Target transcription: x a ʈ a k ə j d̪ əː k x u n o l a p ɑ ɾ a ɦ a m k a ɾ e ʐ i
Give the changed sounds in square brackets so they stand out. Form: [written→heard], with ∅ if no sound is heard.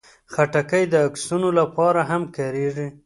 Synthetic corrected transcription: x a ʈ a k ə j d̪ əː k [x→s] u n o l a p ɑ ɾ a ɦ a m k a ɾ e ʐ i